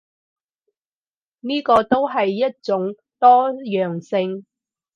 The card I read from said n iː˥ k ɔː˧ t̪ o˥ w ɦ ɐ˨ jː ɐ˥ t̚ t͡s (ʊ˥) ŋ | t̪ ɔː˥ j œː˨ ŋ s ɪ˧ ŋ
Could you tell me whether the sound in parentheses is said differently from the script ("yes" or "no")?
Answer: yes